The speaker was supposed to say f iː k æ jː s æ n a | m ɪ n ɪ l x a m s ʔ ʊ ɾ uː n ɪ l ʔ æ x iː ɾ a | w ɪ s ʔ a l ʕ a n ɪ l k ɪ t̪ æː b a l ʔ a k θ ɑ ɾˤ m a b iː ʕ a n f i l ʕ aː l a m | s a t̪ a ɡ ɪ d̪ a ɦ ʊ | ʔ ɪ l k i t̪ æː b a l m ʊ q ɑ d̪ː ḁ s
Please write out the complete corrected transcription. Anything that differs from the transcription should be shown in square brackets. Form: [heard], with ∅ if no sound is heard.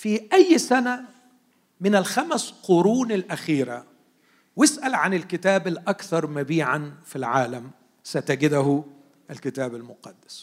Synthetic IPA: f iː [ʔ] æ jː s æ n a | m ɪ n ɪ l x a m s [q] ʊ ɾ uː n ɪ l ʔ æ x iː ɾ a | w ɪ s ʔ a l ʕ a n ɪ l k ɪ t̪ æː b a l ʔ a k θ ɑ ɾˤ m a b iː ʕ a n f i l ʕ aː l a m | s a t̪ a ɡ ɪ d̪ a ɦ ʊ | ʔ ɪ l k [ɪ] t̪ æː b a l m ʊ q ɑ d̪ː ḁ s